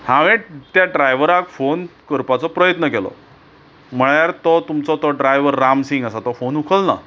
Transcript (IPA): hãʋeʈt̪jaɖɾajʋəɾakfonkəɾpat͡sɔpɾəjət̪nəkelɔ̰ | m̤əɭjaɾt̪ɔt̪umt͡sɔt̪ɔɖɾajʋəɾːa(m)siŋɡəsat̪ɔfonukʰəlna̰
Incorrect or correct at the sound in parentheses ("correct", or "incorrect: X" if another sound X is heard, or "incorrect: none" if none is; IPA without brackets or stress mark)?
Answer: correct